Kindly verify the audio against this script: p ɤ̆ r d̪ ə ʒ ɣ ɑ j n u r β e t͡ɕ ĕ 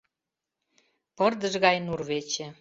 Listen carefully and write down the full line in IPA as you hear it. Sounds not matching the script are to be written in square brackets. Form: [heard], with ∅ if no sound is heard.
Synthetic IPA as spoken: p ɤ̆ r d̪ ə ʒ ɣ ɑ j n u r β e t͡ɕ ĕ